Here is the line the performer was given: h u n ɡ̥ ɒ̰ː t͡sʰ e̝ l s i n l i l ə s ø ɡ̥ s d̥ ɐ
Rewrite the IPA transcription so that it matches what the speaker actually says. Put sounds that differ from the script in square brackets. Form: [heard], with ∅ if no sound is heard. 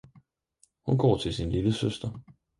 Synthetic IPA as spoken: h u n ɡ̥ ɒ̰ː t͡sʰ e̝ l s i n l i l ə s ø [∅] s d̥ ɐ

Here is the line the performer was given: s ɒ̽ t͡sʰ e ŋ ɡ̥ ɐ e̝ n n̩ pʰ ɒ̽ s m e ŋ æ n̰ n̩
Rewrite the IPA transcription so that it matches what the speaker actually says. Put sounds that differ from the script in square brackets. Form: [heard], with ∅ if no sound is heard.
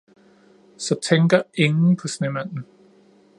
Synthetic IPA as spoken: s ɒ̽ t͡sʰ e ŋ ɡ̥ ɐ e̝ [ŋ] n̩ pʰ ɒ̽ s [n] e [m] æ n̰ n̩

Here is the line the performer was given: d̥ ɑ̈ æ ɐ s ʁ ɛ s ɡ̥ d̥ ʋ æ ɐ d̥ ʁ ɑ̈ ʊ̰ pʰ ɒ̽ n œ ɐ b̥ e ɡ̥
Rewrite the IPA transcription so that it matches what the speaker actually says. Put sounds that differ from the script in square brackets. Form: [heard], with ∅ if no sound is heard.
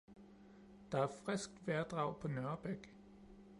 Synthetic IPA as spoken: d̥ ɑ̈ æ ɐ [f] ʁ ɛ s ɡ̥ d̥ ʋ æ ɐ d̥ ʁ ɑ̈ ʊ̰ pʰ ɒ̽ n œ ɐ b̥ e ɡ̥

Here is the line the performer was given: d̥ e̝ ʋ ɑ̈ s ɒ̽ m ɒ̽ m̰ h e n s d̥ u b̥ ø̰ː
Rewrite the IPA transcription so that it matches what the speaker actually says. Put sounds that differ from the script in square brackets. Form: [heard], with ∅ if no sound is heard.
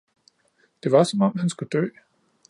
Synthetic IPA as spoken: d̥ e̝ ʋ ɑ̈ s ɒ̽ m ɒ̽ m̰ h [æ] n s [ɡ̥] u [d̥] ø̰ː

